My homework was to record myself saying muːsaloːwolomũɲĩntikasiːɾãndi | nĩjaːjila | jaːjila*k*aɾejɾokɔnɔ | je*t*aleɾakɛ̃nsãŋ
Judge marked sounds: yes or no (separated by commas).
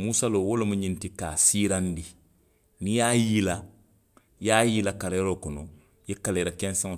yes, no